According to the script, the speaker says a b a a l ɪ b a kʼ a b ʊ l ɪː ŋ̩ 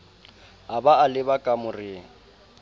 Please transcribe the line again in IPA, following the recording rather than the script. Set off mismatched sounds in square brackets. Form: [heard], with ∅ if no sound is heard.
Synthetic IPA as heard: a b a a l ɪ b a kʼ a [m] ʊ [r] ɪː ŋ̩